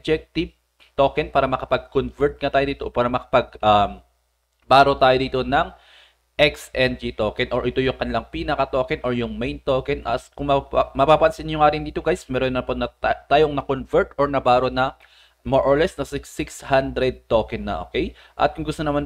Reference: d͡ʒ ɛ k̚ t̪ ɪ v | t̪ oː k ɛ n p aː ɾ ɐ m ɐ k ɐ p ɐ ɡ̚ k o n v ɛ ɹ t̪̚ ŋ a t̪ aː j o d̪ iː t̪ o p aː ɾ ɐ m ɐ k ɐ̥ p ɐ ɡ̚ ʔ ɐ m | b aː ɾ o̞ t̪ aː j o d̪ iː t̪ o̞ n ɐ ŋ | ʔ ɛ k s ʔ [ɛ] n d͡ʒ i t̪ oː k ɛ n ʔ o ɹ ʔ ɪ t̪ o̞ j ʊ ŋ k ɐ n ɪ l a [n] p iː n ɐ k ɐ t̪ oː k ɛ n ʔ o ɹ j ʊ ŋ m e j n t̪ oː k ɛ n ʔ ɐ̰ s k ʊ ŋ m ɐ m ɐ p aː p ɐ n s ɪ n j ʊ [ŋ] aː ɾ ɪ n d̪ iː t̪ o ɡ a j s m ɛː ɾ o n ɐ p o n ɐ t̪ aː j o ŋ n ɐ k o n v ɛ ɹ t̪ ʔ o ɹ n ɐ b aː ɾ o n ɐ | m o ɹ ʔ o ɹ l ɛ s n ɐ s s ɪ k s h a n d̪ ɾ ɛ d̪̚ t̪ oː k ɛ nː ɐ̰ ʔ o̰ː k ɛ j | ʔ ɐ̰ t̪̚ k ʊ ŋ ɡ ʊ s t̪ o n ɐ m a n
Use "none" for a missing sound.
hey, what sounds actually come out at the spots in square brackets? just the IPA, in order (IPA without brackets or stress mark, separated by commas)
ɛ, ŋ, ŋ